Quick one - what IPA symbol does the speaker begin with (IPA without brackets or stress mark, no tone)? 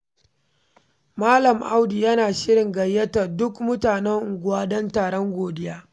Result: m